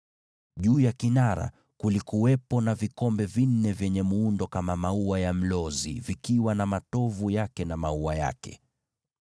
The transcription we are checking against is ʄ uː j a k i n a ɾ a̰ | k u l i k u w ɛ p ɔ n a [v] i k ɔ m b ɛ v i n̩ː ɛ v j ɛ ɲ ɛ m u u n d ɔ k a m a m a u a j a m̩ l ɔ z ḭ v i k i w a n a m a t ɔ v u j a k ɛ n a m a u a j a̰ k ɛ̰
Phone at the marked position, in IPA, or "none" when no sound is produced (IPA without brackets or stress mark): v